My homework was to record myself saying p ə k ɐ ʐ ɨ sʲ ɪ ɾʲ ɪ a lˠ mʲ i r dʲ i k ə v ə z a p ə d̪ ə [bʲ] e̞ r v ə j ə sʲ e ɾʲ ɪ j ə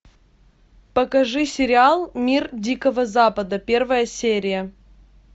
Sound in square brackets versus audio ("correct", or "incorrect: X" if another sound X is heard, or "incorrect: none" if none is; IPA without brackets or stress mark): incorrect: pʲ